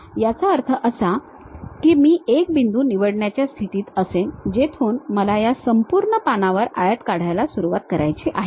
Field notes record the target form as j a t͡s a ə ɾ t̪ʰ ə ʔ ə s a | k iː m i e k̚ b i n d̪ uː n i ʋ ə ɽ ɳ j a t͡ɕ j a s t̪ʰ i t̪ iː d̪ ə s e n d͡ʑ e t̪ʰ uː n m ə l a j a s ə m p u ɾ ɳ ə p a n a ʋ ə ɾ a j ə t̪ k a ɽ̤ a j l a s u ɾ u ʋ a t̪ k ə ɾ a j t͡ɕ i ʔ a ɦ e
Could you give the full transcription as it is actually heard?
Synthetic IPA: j a t͡s a ə ɾ t̪ʰ ə ʔ ə s a | k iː m iː e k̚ b i n d̪ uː n i ʋ ə ɽ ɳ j a t͡ɕ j a s t̪ʰ i t̪ iː t̪ ə s e n d͡ʑ e t̪ʰ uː n m ə l a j a s ə m p u ɾ ɳ ə p a n a ʋ ə ɾ a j ə t̪ k a ɽ̤ a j l a s u ɾ u ʋ a t̪ k ə ɾ a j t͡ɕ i ʔ a ɦ e